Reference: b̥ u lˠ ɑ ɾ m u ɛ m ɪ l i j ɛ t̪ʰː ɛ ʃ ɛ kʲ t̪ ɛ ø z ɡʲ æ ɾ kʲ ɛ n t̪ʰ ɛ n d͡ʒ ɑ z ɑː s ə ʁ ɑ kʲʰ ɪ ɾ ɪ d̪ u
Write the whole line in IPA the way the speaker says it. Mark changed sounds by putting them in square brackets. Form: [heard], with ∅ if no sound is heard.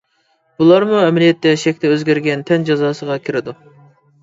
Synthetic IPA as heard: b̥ u lˠ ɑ ɾ m u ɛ m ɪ l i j ɛ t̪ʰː ɛ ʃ ɛ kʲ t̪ ɛ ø z ɡʲ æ ɾ [ɡʲ] ɛ n t̪ʰ ɛ n d͡ʒ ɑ z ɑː s ə ʁ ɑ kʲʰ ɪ ɾ ɪ d̪ u